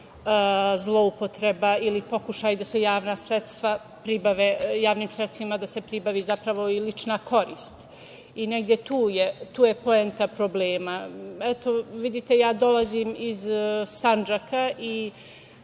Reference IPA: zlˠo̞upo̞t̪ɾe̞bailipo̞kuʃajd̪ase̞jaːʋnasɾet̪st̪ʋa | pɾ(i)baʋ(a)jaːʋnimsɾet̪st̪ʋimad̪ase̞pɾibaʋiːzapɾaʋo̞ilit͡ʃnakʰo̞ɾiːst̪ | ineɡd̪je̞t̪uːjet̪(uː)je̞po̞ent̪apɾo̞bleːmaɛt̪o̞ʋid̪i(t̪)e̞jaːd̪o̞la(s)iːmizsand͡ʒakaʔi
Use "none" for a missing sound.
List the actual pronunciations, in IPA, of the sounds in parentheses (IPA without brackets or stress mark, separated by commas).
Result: i, e, uː, t̪, z